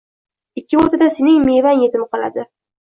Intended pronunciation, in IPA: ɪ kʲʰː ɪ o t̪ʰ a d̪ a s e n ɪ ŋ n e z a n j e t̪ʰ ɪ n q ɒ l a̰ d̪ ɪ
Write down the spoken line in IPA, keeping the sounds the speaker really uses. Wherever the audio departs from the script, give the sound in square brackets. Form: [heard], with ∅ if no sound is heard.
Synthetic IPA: ɪ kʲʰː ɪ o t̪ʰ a d̪ a s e n ɪ ŋ [m] e [v] a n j e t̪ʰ ɪ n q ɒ l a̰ d̪ ɪ